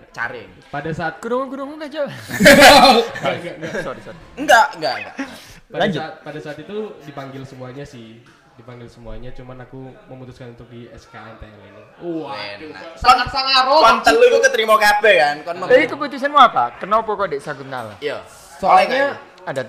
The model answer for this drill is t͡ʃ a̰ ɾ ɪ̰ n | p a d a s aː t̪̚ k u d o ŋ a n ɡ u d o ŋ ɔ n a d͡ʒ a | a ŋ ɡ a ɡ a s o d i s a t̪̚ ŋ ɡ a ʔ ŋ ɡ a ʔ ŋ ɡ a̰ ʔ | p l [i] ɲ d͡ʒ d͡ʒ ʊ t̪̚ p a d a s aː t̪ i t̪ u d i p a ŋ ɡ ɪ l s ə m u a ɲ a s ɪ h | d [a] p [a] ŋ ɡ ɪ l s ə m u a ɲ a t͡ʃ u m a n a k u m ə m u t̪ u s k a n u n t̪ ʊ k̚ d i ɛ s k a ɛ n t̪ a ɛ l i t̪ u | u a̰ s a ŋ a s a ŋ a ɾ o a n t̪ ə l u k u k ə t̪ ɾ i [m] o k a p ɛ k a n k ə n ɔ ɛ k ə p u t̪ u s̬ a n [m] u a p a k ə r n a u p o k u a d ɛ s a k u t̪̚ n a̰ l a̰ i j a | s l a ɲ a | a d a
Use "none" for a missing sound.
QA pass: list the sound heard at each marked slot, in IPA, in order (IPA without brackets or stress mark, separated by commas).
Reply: a, i, a, m, m